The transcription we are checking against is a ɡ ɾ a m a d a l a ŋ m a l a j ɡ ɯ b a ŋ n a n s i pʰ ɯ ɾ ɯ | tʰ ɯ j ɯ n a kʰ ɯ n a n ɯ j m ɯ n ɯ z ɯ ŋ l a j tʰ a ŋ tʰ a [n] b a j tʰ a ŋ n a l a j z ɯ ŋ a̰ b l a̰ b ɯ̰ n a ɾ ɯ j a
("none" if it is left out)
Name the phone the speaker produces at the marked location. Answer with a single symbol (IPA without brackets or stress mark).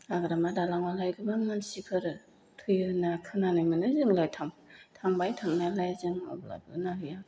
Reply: ŋ